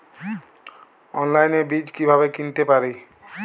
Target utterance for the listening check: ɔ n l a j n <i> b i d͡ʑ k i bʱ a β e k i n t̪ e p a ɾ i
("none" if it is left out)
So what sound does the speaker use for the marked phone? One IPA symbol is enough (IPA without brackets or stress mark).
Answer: e